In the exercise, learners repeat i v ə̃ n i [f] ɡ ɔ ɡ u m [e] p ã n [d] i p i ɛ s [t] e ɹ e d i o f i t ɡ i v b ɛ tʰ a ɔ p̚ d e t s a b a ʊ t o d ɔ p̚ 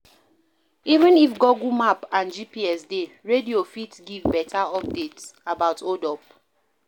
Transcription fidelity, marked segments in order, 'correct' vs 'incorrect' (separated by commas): correct, incorrect, incorrect, incorrect